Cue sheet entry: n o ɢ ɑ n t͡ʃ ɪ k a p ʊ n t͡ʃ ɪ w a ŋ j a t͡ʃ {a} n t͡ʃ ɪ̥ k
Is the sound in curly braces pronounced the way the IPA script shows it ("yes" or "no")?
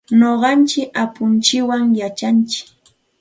yes